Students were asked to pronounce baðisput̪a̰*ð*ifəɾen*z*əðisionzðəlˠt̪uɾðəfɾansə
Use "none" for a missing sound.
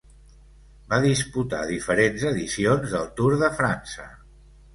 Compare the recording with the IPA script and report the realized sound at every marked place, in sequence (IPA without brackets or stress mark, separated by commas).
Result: ð, z